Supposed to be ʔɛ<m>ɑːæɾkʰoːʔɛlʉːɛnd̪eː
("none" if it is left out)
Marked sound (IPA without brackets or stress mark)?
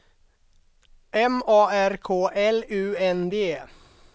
m